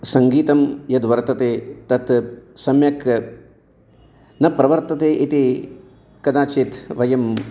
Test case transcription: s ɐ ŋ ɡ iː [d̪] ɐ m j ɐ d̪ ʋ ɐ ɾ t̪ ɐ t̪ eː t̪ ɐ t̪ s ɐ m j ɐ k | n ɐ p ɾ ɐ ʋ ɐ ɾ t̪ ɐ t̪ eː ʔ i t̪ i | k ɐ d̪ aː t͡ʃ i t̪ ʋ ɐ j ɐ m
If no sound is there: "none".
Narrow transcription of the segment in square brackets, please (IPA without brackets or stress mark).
t̪